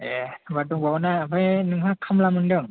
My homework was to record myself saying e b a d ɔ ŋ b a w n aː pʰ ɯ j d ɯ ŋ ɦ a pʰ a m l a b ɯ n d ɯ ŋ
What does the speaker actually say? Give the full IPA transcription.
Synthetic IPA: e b a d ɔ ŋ b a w n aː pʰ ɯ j n ɯ ŋ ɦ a kʰ a m l a m ɯ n d ɯ ŋ

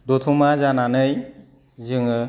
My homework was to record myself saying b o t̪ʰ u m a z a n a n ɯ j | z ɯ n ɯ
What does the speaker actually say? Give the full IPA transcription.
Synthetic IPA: d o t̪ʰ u m a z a n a n ɯ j | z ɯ ŋ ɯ

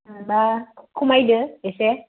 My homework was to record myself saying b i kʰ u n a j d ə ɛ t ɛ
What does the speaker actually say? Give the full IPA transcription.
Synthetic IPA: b a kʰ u m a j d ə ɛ s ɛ

